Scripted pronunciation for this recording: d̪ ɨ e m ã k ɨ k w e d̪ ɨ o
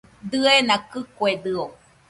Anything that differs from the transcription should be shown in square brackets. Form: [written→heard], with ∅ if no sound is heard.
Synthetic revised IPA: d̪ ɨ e [m→n] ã k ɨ k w e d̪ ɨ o